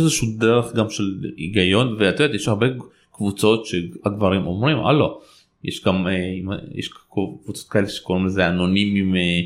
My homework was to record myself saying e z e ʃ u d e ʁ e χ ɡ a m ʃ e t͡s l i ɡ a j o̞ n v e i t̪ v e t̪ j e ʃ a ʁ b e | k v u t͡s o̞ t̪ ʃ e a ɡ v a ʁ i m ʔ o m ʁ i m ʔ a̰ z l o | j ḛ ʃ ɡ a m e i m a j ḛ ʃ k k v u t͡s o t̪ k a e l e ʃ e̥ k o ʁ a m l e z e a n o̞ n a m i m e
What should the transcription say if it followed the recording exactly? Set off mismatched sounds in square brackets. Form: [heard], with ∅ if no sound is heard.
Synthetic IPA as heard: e z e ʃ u d e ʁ e χ ɡ a m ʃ e [∅] l i ɡ a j o̞ n v e [a] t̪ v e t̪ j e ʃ a ʁ b e | k v u t͡s o̞ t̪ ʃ e a ɡ v a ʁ i m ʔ o m ʁ i m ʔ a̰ [∅] l o | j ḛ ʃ ɡ a m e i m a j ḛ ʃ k k v u t͡s o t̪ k a e l e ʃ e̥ k o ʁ [i] m l e z e a n o̞ n [i] m i m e